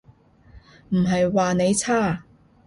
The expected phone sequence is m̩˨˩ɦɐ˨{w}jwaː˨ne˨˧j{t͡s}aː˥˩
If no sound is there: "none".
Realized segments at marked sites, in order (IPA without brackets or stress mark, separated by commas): none, t͡sʰ